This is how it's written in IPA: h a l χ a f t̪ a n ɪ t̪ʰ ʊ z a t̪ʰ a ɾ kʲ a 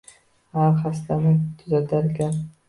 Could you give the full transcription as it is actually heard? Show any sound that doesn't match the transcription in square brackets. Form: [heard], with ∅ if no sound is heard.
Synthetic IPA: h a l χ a [s] t̪ a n ɪ t̪ʰ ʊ z a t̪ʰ a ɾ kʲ a